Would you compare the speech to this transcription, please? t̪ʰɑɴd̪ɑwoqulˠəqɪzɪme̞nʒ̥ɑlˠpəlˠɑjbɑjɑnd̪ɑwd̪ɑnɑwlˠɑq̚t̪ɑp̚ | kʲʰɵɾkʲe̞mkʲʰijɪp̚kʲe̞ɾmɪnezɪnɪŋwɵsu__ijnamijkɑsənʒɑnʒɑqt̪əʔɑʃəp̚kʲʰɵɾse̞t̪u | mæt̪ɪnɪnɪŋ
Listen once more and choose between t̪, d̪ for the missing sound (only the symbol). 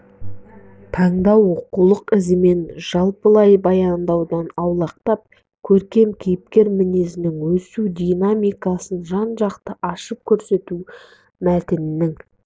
d̪